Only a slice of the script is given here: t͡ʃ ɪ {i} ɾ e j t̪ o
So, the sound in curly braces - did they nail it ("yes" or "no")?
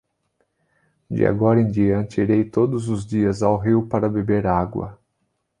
yes